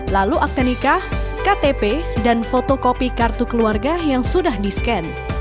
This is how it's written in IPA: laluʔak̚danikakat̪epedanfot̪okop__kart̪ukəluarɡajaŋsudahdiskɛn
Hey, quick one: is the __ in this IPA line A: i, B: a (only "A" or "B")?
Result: A